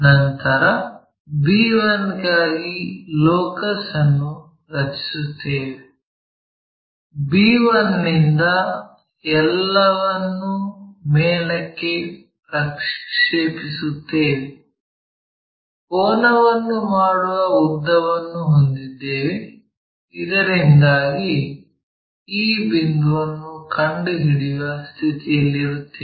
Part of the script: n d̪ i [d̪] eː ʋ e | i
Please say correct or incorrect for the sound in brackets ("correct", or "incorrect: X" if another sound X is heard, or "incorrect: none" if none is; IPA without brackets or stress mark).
incorrect: d̪ː